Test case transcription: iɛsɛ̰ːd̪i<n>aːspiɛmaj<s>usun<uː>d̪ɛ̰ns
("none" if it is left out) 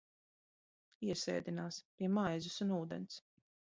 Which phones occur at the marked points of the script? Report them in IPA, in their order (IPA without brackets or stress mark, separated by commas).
n, z, uː